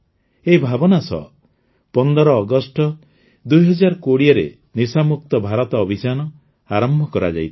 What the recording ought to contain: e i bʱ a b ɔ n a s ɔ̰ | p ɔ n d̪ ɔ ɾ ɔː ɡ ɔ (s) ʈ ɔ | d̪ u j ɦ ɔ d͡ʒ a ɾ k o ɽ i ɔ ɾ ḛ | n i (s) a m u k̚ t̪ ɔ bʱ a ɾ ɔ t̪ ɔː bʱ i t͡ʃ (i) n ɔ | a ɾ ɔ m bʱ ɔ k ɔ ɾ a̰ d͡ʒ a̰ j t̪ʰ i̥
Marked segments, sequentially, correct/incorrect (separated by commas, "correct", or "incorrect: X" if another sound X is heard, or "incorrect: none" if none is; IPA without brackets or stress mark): correct, correct, incorrect: a